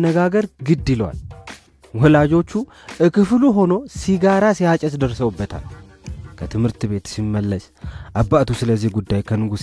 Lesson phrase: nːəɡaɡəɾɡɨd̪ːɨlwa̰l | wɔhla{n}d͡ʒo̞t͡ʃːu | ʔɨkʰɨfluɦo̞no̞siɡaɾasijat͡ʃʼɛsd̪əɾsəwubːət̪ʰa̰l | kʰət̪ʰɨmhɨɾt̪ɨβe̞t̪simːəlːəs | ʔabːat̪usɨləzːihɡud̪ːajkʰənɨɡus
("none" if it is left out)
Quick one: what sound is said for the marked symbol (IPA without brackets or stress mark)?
none